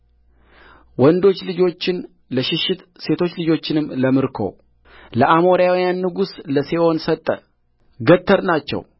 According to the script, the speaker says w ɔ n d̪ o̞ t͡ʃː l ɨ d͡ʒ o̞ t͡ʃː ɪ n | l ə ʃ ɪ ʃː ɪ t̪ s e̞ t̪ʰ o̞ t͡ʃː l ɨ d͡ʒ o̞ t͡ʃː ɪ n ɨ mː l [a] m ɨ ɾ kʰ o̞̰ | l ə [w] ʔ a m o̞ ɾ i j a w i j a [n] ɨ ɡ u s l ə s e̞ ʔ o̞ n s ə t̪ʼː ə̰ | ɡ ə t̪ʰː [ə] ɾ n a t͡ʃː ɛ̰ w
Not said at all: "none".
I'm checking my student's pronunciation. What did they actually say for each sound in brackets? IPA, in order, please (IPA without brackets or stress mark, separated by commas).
ə, none, nː, ə